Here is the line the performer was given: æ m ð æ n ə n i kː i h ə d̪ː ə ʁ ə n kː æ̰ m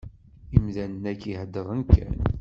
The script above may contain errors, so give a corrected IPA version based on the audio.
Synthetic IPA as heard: i m ð æ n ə n æ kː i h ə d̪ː ə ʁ ə n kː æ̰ n

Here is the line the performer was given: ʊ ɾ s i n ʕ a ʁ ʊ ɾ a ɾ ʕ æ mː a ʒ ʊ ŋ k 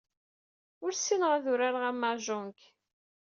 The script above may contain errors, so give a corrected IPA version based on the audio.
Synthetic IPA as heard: ʊ ɾ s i n ʁ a ð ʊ ɾ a ɾ ʁ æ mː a ʒ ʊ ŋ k

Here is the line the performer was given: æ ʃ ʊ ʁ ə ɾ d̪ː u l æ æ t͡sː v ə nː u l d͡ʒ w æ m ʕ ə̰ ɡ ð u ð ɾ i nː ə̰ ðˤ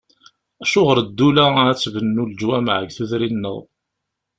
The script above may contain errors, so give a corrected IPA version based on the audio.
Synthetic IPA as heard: æ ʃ ʊ ʁ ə ɾ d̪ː u l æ æ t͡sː v ə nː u l d͡ʒ w æ m ʕ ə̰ ɡ θ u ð ɾ i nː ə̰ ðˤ

